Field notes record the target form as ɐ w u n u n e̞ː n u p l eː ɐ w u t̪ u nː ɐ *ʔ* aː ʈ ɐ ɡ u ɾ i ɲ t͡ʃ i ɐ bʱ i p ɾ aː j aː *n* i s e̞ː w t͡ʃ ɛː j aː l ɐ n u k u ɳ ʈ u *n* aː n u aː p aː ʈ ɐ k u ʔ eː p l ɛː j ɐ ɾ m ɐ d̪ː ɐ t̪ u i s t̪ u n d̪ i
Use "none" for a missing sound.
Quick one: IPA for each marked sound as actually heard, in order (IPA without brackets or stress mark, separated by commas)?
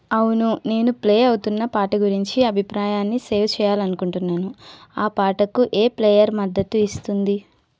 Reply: p, nː, nː